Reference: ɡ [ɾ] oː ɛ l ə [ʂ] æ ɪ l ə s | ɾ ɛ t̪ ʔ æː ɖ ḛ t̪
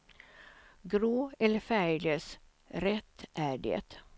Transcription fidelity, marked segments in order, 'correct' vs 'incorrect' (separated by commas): correct, incorrect